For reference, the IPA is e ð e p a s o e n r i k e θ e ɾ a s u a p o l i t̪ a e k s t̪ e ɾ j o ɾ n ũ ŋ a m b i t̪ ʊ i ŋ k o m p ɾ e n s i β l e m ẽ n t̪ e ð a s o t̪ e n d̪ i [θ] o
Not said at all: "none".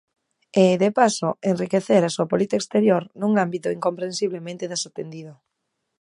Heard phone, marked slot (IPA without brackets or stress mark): ð